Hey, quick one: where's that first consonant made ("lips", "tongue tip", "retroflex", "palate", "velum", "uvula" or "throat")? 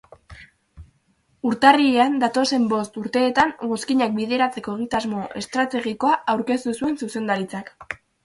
tongue tip